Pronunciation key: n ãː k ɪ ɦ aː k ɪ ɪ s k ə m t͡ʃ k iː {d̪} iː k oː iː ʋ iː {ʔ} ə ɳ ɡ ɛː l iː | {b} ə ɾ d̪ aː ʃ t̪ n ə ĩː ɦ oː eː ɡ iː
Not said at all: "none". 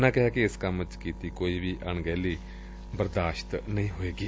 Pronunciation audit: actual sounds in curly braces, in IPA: t̪, ʔ, b

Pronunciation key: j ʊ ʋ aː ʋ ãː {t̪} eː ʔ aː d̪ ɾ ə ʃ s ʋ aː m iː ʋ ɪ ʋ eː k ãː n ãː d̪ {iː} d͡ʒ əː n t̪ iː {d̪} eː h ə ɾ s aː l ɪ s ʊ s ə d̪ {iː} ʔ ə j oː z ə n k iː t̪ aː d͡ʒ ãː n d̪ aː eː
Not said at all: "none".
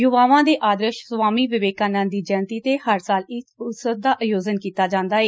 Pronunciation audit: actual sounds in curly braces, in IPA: d̪, iː, t̪, aː

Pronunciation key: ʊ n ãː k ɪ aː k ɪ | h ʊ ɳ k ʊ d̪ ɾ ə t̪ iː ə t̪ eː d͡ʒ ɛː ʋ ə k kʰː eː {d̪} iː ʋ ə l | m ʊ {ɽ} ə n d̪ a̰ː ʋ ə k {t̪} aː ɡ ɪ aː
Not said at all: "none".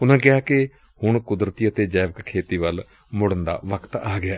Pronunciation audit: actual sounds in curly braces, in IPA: t̪, ɽ, t̪

